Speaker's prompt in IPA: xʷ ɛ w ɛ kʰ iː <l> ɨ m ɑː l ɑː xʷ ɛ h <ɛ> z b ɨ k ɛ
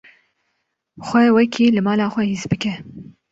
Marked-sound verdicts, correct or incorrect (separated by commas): correct, incorrect